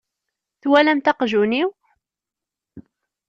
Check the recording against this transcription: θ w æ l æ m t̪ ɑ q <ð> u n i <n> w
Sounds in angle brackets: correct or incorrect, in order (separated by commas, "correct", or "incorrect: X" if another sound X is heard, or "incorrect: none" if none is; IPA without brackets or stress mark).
incorrect: ʒ, incorrect: none